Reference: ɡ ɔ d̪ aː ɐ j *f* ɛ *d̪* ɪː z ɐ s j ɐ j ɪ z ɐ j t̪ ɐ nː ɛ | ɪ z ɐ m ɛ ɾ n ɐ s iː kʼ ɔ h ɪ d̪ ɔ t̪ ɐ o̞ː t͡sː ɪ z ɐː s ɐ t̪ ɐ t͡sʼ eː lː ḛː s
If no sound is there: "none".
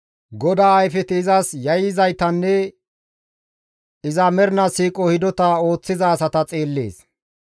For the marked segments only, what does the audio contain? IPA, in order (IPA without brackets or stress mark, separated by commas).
f, t̪